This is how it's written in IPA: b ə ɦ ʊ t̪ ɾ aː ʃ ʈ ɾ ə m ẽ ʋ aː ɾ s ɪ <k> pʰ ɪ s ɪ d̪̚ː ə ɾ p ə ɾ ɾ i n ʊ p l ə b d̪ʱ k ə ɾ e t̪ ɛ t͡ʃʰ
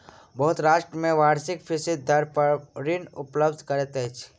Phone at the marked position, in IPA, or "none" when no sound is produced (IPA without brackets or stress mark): k